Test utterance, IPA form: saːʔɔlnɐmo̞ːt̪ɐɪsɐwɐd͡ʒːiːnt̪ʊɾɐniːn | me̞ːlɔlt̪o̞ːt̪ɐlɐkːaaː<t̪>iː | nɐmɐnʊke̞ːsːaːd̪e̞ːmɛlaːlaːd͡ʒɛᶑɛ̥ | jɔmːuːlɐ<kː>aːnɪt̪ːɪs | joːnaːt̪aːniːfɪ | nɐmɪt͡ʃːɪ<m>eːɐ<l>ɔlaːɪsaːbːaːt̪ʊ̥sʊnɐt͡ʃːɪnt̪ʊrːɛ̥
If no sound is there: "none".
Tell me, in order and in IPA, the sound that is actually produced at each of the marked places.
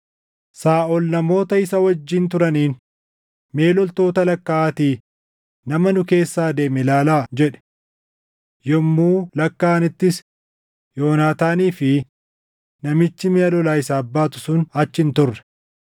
t̪, kː, m, l

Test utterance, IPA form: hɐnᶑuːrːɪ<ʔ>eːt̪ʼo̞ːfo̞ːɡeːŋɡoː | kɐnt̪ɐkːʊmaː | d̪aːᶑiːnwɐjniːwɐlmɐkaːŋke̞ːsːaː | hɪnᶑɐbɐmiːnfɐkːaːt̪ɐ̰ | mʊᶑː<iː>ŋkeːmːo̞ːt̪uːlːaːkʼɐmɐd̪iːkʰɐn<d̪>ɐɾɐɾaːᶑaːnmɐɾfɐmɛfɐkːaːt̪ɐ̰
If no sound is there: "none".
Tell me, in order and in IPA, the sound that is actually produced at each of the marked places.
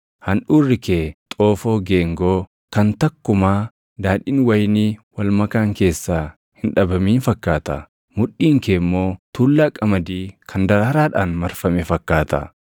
k, iː, d̪

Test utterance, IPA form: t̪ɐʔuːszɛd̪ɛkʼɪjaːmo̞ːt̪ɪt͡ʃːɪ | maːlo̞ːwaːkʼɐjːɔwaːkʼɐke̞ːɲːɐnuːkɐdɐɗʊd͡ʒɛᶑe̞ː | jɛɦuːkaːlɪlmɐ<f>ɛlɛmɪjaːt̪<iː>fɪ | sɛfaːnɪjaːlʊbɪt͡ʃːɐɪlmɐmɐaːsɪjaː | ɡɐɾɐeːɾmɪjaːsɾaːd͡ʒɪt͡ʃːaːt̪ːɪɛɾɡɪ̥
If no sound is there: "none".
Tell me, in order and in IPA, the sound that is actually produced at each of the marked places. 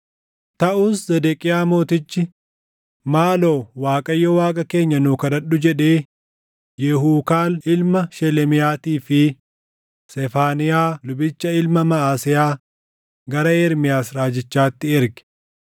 ʃ, iː

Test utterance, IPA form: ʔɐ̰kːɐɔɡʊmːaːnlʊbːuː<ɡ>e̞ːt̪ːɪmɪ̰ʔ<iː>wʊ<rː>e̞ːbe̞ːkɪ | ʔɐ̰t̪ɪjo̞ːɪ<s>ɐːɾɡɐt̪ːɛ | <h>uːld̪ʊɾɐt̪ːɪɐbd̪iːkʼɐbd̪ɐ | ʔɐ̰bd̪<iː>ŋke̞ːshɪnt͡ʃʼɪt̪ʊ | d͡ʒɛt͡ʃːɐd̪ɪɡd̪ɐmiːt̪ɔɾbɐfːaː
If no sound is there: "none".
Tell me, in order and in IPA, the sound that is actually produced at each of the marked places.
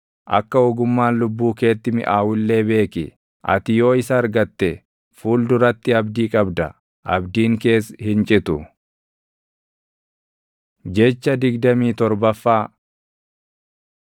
k, aː, lː, s, f, iː

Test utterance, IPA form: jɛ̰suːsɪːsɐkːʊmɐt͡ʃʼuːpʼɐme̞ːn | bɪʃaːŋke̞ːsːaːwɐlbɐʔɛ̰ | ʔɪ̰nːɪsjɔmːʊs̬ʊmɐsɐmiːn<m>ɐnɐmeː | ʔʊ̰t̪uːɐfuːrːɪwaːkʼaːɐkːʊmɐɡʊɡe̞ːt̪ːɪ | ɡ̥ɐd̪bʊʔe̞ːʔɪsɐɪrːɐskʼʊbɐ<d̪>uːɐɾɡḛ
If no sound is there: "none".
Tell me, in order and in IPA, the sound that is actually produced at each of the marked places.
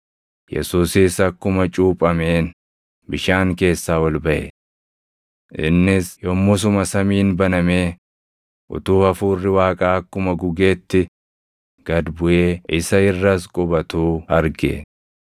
b, t̪

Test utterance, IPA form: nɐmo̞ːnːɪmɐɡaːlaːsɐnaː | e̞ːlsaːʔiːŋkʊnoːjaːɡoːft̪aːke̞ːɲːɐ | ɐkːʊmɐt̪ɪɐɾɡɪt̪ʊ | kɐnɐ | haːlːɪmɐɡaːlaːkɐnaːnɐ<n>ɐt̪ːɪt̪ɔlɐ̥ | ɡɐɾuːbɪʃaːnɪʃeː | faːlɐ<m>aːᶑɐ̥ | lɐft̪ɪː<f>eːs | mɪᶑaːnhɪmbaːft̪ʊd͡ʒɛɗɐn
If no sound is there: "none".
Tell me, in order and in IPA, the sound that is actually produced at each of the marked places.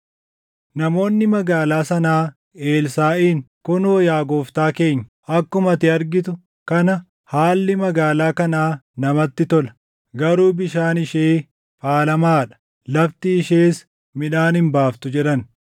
m, m, ʃ

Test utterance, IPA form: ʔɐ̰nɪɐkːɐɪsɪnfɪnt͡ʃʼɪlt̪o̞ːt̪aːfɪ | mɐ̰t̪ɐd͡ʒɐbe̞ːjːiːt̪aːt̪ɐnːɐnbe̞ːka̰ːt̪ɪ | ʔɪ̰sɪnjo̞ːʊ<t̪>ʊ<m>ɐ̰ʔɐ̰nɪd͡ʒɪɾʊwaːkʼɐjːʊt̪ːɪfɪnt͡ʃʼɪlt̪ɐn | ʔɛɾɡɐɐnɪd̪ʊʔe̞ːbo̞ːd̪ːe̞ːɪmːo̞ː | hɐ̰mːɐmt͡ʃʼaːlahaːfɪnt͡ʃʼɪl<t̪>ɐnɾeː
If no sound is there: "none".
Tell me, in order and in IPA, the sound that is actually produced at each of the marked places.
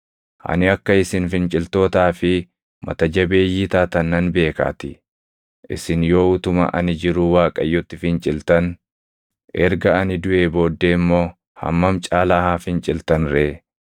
t̪, m, t̪

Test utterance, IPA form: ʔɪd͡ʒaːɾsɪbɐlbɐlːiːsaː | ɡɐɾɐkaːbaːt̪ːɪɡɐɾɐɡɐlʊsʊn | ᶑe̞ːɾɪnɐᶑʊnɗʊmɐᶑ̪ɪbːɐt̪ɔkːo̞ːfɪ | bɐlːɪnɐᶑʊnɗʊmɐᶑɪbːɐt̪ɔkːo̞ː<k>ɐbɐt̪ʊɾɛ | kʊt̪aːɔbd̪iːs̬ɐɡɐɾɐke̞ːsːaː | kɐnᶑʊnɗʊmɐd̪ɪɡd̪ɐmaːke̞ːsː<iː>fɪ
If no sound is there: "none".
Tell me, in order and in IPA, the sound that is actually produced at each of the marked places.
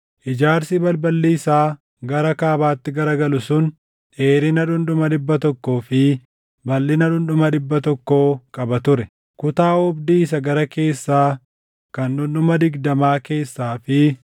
kʼ, aː

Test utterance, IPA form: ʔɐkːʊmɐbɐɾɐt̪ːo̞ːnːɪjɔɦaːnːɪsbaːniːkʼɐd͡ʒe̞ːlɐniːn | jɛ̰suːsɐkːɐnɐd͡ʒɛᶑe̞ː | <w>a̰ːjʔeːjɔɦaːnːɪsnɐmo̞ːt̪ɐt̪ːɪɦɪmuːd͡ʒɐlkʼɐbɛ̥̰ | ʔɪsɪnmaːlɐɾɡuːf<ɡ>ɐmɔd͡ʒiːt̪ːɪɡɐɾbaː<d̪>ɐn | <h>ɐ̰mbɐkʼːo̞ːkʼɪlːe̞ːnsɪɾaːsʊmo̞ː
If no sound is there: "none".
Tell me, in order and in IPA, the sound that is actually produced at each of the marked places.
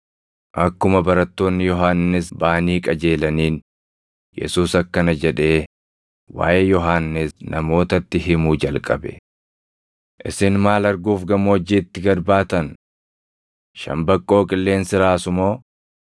w, ɡ, t̪, ʃ

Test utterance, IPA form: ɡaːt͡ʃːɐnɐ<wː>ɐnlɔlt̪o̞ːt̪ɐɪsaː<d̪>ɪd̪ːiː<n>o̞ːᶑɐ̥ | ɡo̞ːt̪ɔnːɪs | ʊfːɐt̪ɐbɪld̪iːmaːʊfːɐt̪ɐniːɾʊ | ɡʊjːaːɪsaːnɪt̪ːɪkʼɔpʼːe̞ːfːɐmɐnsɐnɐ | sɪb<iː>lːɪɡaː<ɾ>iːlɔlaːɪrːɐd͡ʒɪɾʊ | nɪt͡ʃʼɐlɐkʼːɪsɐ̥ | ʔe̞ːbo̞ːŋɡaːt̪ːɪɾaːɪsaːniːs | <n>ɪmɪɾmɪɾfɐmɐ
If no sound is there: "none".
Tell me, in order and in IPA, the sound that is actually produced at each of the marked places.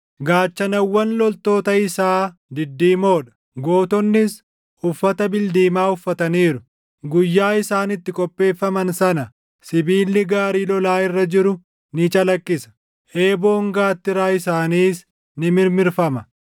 wː, d̪, m, iː, ɾ, n

